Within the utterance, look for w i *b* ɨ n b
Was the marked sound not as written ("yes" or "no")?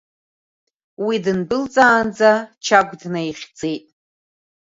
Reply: yes